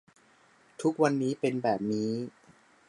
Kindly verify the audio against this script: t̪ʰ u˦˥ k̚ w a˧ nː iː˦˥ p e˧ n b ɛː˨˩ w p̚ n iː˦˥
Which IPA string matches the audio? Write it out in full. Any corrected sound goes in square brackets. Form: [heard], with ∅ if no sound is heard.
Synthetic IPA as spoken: t̪ʰ u˦˥ k̚ w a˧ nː iː˦˥ p e˧ n b ɛː˨˩ [∅] p̚ n iː˦˥